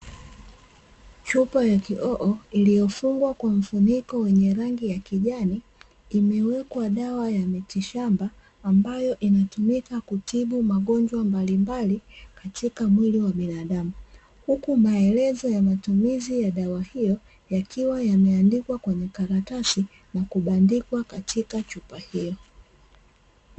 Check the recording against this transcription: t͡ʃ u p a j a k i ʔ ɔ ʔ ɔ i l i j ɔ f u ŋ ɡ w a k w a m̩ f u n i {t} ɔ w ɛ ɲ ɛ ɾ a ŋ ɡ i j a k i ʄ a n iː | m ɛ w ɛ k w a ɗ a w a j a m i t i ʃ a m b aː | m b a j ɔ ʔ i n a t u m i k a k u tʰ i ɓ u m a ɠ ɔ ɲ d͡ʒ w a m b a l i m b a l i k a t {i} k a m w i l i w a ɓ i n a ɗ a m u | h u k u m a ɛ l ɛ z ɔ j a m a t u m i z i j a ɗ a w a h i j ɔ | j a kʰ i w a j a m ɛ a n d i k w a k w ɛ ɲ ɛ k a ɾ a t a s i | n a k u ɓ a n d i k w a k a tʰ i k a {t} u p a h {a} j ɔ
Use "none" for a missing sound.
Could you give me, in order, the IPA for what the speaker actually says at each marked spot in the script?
k, i, t͡ʃ, i

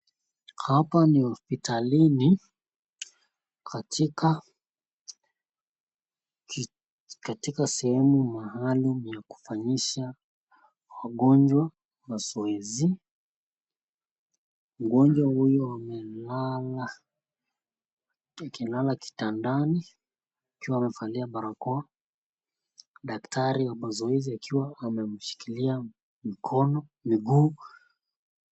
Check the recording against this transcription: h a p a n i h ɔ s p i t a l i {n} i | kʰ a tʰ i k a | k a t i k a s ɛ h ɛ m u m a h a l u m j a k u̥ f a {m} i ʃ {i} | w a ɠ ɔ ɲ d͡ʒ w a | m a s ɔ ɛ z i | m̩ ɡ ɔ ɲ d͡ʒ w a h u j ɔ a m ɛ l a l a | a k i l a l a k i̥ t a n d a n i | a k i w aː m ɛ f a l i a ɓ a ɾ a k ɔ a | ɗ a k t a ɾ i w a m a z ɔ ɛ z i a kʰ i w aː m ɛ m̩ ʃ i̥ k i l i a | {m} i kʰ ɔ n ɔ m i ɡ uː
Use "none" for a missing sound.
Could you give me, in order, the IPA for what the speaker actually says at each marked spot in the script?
n, ɲ, a, m

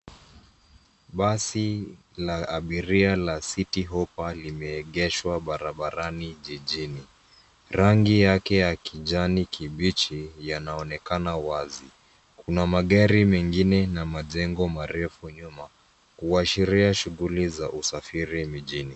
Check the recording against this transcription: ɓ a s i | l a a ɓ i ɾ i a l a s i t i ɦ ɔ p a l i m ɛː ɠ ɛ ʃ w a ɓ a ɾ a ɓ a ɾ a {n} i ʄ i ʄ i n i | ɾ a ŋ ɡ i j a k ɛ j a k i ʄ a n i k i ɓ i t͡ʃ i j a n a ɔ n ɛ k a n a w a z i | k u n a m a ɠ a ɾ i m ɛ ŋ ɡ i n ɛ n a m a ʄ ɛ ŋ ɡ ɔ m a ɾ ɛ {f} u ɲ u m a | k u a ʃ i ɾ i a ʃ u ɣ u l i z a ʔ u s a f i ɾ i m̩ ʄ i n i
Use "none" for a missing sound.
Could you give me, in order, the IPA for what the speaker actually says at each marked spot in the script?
n, f

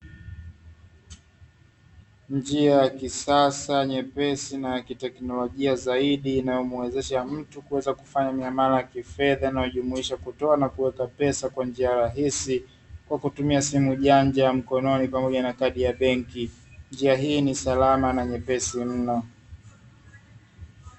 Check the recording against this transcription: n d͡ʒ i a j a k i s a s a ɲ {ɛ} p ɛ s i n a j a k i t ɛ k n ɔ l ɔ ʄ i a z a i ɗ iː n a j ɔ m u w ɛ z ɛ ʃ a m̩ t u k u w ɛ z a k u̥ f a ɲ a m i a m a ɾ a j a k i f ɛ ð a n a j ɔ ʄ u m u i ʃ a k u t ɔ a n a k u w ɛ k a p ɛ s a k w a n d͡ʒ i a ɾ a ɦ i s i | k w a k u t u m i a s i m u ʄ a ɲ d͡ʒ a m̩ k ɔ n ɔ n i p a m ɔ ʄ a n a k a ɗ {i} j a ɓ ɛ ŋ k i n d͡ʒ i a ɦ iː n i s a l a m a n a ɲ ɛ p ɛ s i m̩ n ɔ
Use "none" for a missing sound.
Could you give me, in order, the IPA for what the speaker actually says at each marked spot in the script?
ɛ, i

